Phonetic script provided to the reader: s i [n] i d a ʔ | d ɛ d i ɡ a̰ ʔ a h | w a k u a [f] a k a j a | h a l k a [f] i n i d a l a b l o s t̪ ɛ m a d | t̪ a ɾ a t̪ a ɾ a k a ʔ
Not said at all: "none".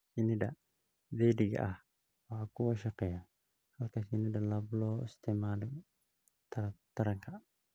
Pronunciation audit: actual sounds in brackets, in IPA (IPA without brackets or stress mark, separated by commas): n, ʃ, s